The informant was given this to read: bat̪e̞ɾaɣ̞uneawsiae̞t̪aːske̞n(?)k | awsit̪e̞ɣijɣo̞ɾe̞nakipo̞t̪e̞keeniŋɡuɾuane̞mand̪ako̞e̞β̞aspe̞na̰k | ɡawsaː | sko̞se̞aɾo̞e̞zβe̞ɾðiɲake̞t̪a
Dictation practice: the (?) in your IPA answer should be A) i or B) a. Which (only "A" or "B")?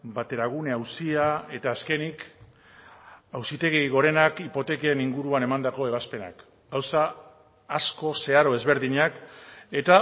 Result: A